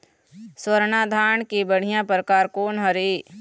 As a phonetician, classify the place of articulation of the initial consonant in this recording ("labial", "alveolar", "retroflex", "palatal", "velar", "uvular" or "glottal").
alveolar